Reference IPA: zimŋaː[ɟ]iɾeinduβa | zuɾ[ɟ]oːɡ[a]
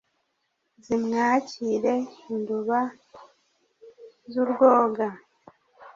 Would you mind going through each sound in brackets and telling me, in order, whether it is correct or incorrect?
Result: incorrect: c, incorrect: ɡ, correct

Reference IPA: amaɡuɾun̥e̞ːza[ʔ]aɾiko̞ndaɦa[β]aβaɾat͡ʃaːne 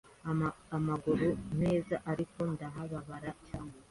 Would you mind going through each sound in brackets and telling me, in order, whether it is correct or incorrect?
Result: correct, correct

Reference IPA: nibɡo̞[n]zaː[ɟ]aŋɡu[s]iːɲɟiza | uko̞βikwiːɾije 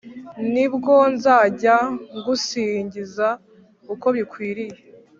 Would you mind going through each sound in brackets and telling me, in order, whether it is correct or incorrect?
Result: correct, correct, correct

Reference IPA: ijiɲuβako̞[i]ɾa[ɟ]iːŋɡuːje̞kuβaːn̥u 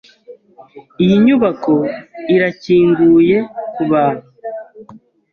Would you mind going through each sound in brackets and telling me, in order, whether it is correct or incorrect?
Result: correct, incorrect: c

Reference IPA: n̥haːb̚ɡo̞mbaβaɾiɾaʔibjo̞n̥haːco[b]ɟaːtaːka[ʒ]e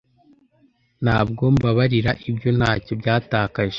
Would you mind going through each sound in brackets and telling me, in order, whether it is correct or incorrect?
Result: correct, correct

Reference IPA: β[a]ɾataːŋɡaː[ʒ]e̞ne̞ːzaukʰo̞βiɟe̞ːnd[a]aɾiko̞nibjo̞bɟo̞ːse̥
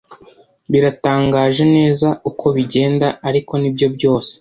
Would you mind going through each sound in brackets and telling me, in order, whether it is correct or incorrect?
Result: incorrect: i, correct, correct

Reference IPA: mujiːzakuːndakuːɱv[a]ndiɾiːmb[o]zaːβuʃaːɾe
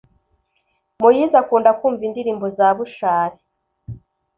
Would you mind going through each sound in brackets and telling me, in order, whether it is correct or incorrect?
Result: incorrect: i, correct

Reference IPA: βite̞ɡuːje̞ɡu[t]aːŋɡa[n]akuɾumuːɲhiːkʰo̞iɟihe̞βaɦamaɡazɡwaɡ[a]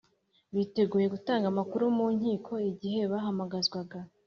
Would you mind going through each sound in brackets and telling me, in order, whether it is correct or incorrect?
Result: correct, incorrect: m, correct

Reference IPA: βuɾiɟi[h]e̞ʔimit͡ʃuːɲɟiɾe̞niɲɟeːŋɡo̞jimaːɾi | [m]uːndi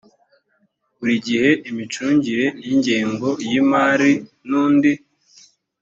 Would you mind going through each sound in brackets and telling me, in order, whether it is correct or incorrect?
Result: correct, incorrect: n

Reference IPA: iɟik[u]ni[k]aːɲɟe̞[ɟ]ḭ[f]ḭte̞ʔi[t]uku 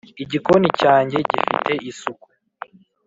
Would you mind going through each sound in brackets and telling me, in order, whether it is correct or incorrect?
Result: incorrect: o, incorrect: c, correct, correct, incorrect: s

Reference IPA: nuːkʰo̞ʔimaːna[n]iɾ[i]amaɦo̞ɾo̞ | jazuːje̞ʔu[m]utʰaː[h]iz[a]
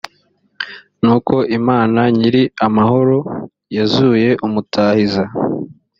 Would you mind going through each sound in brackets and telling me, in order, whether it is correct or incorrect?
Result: incorrect: ɲ, correct, correct, correct, correct

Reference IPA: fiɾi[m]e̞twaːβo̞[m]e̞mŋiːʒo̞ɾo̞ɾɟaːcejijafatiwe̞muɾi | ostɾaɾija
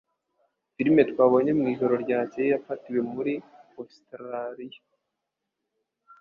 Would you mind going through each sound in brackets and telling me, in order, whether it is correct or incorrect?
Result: correct, incorrect: ɲ

